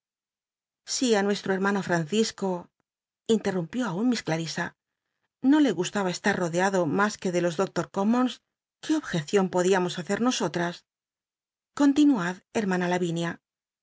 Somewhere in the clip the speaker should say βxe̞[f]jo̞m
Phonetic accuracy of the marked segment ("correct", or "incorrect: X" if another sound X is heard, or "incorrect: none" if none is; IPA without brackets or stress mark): incorrect: θ